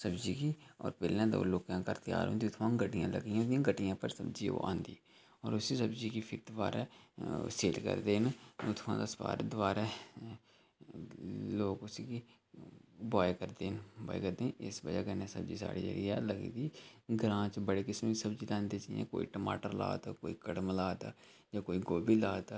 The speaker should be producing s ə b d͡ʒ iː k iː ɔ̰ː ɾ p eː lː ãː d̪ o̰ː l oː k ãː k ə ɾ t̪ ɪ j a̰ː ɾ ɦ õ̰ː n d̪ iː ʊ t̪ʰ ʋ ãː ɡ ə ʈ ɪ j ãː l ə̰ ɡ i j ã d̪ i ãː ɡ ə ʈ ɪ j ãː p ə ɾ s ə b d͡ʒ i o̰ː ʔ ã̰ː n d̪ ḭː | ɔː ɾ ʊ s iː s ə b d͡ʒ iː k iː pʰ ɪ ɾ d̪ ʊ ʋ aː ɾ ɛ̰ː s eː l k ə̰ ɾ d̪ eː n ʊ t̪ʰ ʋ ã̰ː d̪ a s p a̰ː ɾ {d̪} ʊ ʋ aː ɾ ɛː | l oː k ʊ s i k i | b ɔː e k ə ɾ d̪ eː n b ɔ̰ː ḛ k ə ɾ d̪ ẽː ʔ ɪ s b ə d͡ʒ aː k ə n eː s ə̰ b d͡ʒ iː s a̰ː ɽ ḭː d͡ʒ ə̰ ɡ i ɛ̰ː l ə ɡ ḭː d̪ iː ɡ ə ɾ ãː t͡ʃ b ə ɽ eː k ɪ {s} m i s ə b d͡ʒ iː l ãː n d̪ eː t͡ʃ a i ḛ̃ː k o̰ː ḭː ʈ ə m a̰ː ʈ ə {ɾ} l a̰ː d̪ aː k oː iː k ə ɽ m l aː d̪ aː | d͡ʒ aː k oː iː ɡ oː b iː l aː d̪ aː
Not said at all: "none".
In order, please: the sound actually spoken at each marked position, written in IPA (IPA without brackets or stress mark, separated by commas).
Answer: d̪, s, ɾ